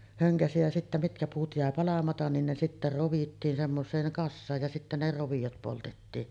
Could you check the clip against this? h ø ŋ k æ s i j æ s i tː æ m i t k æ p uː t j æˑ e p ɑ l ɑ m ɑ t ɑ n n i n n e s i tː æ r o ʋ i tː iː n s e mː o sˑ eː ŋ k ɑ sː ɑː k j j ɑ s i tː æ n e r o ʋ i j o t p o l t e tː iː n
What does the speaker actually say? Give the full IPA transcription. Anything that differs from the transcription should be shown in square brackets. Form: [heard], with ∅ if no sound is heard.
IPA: h ø ŋ k æ s i j æ s i tː æ m i t k æ p uː t j æˑ e p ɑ l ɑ m ɑ t ɑ n n i n n e s i tː æ r o ʋ i tː iː n s e mː o sˑ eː ŋ k ɑ sː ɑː [∅] j j ɑ s i tː æ n e r o ʋ i j o t p o l t e tː iː n